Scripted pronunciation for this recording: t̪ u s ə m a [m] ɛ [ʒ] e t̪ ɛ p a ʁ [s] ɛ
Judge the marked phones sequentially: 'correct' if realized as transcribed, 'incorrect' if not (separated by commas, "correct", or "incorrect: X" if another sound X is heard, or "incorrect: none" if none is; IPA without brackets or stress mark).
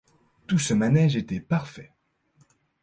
incorrect: n, correct, incorrect: f